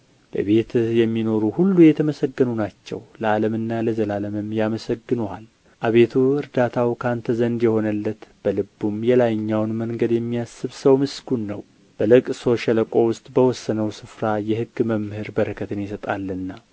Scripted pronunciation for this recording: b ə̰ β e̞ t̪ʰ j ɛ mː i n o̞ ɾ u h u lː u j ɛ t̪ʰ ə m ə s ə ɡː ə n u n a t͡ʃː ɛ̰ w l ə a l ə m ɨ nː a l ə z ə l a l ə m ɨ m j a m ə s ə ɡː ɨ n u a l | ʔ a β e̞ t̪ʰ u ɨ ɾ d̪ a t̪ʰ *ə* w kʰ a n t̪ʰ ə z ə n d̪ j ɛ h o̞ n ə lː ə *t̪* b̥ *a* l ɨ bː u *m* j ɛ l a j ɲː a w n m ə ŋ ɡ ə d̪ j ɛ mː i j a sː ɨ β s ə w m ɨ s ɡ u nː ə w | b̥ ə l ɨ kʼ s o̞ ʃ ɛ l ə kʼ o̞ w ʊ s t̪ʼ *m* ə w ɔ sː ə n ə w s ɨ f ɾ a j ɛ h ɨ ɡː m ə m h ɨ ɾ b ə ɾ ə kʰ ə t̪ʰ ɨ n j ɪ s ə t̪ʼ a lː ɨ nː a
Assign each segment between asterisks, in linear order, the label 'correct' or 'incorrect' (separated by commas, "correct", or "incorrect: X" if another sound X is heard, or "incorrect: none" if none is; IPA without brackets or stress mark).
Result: incorrect: a, correct, incorrect: ə, correct, incorrect: b